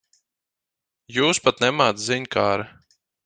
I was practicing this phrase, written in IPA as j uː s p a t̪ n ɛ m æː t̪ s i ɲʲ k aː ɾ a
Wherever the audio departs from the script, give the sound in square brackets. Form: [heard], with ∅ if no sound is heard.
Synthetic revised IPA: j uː s p a t̪ n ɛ m [aː] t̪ [z] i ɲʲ k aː ɾ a